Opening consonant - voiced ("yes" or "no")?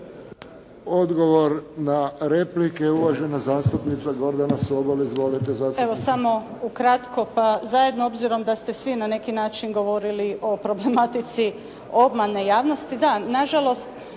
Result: yes